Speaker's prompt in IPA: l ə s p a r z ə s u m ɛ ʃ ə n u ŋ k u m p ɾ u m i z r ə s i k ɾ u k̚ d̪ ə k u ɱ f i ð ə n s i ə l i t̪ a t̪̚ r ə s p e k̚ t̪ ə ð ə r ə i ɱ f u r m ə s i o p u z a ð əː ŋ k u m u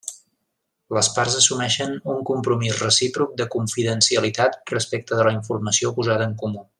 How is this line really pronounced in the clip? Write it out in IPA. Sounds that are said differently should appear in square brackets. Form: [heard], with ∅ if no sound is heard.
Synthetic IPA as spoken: l ə s p a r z ə s u m ɛ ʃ ə n u ŋ k u m p ɾ u m i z r ə s i [p] ɾ u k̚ d̪ ə k u ɱ f i ð ə n s i ə l i t̪ a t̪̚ r ə s p e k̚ t̪ ə ð ə [l] ə i ɱ f u r m ə s i o p u z a ð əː ŋ k u m u

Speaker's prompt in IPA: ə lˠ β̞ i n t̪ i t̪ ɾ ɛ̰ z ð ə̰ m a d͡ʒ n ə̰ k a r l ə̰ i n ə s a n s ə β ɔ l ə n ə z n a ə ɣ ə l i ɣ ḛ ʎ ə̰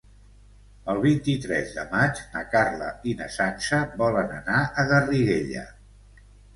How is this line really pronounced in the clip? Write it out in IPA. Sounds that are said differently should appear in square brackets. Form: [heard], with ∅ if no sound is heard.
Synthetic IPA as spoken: ə lˠ β̞ i n t̪ i t̪ ɾ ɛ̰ z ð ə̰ m a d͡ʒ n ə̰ k a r l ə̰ i n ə s a n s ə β ɔ l ə n ə [∅] n a ə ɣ ə [r] i ɣ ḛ ʎ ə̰

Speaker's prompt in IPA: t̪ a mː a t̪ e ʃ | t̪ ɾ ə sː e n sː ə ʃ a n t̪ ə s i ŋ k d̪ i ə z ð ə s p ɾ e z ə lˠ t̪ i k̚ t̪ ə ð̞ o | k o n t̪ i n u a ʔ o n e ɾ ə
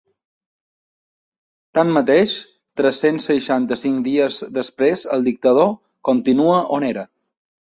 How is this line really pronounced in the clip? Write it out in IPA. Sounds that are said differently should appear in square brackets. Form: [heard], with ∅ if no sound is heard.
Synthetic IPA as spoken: t̪ a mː [ə] t̪ e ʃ | t̪ ɾ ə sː e n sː ə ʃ a n t̪ ə s i ŋ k d̪ i ə z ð ə s p ɾ e z ə lˠ [d̪] i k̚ t̪ ə ð̞ o | k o n t̪ i n u [ə] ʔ o n e ɾ ə

